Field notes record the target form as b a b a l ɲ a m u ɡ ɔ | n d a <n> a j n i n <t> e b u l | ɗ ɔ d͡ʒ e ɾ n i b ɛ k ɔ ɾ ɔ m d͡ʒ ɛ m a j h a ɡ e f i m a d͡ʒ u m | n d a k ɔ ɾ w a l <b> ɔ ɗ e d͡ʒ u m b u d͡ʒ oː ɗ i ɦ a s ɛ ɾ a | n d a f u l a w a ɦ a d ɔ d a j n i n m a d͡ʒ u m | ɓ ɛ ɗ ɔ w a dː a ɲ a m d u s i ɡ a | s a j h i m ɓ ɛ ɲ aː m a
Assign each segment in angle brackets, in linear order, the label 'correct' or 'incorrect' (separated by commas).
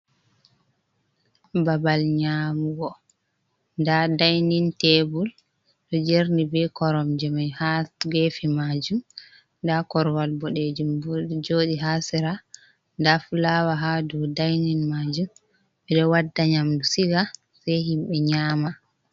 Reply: incorrect, correct, correct